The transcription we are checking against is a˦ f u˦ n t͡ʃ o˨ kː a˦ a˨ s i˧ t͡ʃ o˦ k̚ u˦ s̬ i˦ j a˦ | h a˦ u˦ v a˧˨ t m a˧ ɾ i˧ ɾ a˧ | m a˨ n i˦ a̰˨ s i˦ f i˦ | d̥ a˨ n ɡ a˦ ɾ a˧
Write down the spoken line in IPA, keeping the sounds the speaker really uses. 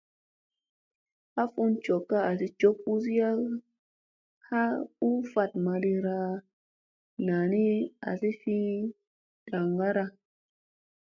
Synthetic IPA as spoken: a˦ f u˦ n t͡ʃ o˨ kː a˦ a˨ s i˧ t͡ʃ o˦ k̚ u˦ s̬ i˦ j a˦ | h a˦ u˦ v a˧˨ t m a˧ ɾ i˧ ɾ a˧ | n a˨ n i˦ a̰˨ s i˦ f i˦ | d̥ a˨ ŋ ɡ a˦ ɾ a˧